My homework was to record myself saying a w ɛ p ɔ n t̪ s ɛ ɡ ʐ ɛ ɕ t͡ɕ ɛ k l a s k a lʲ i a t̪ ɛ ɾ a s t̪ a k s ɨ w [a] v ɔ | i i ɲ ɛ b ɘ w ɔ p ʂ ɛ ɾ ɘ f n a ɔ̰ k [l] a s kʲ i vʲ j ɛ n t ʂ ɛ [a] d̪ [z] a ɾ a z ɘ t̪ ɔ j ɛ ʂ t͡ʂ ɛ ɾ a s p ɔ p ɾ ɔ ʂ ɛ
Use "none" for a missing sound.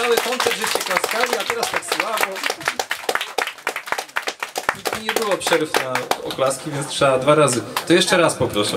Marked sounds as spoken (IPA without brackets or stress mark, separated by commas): a, l, a, v